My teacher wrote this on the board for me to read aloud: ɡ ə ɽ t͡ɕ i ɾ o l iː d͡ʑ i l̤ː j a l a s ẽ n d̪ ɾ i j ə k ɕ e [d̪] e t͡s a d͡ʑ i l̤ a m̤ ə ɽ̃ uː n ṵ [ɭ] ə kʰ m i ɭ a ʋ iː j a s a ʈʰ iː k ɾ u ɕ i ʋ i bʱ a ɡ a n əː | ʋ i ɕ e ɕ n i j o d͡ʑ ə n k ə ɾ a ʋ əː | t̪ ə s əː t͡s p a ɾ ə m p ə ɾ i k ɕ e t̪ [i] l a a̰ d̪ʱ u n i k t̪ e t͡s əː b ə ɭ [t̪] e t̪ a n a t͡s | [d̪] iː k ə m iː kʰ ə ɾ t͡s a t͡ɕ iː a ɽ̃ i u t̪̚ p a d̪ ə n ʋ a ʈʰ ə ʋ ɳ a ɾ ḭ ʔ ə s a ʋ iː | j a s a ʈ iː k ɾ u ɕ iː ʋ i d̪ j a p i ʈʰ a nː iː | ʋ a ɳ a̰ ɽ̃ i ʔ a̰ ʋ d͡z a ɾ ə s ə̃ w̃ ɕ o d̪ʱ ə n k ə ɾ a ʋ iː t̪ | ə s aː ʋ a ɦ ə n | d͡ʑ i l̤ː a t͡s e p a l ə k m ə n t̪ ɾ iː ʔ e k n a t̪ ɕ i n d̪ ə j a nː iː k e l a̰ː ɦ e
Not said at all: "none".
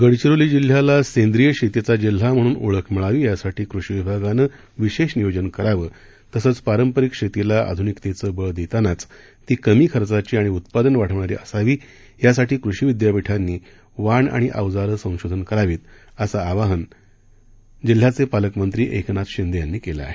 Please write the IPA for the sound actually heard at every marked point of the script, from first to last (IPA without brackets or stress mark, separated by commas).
t̪, ɭ, i, d̪, t̪